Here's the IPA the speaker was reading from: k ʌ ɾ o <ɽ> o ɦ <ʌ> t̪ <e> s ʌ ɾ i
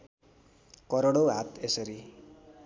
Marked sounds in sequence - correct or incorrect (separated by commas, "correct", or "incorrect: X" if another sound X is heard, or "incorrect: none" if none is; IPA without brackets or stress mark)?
correct, incorrect: a, correct